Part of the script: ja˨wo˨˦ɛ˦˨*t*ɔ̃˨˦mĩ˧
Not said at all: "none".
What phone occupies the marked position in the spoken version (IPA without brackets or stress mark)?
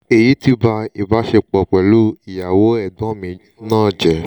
d